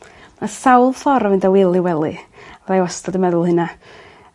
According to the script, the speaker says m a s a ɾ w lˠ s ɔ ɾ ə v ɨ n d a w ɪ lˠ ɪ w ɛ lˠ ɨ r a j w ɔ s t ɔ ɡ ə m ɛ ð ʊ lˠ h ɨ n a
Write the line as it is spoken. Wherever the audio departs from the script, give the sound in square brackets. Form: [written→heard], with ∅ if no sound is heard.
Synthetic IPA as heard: m a s a [ɾ→∅] w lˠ [s→f] ɔ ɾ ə v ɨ n d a w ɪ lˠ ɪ w ɛ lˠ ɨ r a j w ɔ s t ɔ [ɡ→d] ə m ɛ ð ʊ lˠ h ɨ n a